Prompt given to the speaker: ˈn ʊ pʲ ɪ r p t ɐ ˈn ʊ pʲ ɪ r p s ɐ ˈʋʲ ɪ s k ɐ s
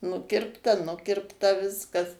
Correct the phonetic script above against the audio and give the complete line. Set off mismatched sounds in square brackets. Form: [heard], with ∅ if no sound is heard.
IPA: ˈn ʊ [kʲ] ɪ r p t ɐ ˈn ʊ [kʲ] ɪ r p [t] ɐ ˈʋʲ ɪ s k ɐ s